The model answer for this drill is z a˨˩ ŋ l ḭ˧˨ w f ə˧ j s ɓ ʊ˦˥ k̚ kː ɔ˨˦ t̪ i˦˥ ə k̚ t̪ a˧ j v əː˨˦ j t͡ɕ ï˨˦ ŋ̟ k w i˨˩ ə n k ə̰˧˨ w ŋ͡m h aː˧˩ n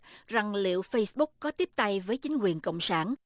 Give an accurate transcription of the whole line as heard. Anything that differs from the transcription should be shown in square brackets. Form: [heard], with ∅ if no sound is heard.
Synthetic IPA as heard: z a˨˩ ŋ l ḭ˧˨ w f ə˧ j s ɓ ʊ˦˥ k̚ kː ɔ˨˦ t̪ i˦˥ ə [p̚] t̪ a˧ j v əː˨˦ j t͡ɕ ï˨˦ ŋ̟ k w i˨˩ ə n k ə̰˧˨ w ŋ͡m [s] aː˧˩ n